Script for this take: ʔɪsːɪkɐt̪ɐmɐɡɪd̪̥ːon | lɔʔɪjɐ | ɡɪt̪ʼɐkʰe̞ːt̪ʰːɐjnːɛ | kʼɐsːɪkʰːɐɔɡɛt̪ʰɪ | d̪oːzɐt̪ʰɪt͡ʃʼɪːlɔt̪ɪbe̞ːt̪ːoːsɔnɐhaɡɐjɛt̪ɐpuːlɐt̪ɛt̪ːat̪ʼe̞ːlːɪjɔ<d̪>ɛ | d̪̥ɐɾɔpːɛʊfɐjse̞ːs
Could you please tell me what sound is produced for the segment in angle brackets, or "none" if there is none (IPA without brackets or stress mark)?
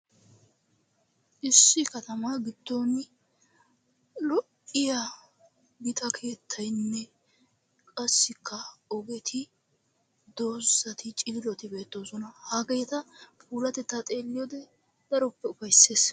d̪